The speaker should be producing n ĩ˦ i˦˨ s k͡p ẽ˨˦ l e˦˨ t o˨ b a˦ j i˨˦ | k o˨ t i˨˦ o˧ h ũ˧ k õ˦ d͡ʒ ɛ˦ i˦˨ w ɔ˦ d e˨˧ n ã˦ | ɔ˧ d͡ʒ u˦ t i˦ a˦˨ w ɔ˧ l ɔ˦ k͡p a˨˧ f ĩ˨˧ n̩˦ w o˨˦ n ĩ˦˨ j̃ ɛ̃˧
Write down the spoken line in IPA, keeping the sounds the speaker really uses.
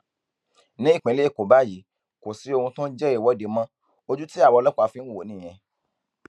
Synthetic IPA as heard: n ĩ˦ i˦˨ k͡p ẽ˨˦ l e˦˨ k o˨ b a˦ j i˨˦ | k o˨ s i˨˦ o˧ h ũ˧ t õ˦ d͡ʒ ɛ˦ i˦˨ w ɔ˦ d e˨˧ m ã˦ | o˧ d͡ʒ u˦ t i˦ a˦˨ w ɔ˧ l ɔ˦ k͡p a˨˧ f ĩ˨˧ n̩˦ w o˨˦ n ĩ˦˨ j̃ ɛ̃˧